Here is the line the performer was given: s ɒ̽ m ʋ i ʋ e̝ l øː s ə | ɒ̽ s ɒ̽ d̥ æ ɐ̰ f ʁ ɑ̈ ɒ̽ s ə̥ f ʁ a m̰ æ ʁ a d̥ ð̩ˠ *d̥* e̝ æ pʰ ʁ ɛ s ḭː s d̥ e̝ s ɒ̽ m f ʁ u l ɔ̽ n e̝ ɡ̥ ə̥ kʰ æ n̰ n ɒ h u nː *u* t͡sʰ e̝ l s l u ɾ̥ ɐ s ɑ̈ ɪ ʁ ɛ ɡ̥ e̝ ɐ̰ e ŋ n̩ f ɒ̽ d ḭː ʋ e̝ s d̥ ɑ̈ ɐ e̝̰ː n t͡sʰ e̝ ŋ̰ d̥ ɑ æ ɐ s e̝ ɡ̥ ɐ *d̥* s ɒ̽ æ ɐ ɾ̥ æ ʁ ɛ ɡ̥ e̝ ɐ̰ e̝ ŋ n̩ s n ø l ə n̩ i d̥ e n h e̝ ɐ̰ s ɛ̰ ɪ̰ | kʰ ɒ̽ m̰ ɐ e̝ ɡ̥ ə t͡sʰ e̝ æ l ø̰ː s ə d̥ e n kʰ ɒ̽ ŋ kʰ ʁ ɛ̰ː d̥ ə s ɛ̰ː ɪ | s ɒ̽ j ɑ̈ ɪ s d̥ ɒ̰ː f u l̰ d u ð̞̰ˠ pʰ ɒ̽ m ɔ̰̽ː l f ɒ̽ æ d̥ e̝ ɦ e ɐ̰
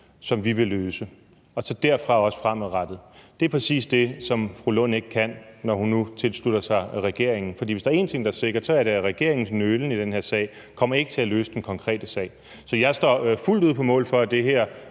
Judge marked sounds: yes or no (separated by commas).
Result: yes, yes, yes